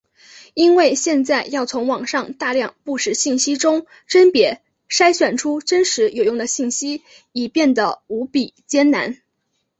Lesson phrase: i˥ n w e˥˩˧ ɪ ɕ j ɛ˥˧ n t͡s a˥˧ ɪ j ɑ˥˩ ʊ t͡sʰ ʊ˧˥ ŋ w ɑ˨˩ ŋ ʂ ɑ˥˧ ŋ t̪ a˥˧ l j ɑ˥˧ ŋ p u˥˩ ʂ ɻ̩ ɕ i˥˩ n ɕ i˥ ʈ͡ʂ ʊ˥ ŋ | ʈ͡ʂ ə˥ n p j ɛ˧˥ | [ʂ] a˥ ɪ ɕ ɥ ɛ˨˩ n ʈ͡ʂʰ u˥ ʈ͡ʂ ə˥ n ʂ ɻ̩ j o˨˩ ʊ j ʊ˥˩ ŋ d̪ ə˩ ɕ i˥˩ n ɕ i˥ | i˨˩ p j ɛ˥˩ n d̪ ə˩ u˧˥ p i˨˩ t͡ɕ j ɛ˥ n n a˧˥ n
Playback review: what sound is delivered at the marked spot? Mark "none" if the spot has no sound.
ʂ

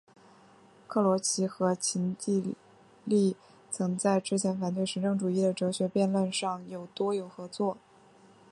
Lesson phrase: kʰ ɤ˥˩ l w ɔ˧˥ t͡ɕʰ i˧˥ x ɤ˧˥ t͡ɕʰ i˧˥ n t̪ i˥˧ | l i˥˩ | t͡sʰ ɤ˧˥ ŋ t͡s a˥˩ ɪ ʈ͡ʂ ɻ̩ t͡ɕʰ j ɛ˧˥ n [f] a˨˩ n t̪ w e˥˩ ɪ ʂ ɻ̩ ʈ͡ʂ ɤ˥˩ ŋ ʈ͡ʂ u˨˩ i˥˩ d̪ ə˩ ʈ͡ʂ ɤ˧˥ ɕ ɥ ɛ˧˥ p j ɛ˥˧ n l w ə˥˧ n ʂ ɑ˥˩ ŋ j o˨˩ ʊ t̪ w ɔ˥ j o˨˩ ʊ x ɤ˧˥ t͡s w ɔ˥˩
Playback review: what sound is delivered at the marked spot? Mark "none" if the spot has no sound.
f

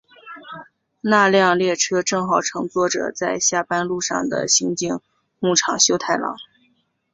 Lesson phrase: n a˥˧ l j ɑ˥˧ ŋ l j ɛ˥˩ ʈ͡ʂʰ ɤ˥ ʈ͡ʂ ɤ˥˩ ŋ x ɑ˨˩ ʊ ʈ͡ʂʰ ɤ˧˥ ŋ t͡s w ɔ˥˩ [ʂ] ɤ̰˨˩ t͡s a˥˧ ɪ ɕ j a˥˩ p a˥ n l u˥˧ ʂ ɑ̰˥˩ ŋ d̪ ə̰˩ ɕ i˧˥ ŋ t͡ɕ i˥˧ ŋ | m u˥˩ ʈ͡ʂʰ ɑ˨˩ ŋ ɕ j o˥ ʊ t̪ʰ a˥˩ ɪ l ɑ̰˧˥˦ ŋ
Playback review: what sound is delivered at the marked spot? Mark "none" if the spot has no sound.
ʈ͡ʂ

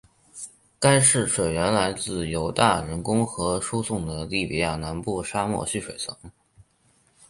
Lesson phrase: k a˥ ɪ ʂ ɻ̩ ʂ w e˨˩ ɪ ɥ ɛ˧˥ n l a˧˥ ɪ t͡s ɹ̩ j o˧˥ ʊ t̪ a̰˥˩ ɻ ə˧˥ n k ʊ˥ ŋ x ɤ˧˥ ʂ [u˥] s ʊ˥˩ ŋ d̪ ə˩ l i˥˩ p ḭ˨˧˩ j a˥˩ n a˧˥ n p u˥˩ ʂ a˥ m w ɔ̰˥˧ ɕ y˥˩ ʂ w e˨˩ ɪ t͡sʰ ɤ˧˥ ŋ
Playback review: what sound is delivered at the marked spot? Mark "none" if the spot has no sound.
u˥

